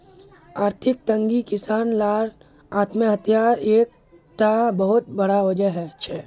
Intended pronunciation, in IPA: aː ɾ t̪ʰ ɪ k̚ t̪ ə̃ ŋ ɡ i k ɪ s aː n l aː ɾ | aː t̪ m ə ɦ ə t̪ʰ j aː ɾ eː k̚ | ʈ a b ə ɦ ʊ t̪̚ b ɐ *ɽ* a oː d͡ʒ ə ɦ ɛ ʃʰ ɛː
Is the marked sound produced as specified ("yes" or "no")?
yes